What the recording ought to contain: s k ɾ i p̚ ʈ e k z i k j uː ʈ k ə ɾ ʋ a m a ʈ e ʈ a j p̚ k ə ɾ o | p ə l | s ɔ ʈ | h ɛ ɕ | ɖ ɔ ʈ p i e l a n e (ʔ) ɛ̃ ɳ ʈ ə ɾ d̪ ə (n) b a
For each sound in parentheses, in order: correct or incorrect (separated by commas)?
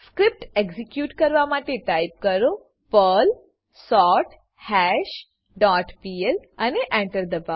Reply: correct, incorrect